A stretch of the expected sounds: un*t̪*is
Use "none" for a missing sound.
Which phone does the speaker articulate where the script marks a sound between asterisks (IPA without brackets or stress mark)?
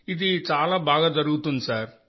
d̪